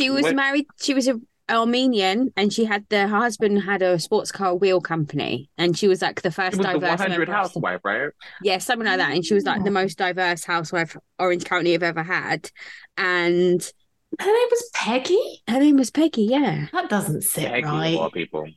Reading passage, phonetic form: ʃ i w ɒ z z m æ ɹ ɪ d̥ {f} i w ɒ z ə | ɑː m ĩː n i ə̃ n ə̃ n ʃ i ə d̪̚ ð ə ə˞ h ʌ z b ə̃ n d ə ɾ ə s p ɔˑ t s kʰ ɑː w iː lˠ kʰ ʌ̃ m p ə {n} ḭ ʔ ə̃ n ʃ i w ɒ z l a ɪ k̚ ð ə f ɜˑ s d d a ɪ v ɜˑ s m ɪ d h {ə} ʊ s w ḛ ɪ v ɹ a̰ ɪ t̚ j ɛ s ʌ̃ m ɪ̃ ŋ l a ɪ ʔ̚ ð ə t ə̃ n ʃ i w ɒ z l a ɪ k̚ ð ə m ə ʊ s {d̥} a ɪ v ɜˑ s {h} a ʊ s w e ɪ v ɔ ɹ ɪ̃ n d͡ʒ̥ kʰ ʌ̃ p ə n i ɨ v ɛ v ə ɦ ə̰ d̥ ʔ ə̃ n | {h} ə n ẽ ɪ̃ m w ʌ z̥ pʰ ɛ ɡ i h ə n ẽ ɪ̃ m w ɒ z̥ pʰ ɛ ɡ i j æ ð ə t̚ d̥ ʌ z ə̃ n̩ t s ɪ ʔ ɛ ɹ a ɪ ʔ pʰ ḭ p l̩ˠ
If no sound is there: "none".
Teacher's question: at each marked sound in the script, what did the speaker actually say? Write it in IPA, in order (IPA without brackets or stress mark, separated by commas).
ʃ, n, a, d̥, h, h